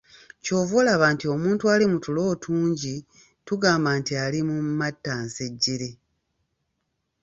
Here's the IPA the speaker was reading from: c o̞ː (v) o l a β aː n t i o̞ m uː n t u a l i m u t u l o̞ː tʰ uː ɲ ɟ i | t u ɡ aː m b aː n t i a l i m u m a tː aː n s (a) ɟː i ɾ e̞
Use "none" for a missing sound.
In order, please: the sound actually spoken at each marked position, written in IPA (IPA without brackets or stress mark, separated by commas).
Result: v, e